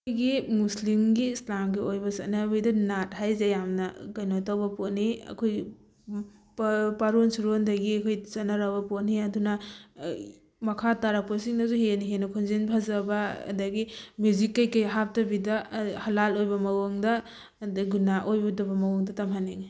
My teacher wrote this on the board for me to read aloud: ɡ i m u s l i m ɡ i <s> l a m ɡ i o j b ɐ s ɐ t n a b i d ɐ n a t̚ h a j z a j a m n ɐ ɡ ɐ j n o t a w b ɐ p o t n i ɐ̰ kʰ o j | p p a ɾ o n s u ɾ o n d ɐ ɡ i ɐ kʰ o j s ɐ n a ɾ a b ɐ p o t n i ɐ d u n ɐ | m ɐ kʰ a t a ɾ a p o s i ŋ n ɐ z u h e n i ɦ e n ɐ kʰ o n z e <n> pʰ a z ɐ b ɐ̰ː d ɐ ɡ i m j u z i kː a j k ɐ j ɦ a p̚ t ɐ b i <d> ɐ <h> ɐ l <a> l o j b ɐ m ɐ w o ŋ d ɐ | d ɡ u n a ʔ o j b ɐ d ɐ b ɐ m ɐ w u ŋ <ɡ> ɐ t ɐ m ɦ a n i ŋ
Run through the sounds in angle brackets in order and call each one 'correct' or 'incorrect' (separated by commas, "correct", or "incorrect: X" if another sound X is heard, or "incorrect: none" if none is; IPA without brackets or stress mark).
correct, correct, correct, correct, correct, incorrect: d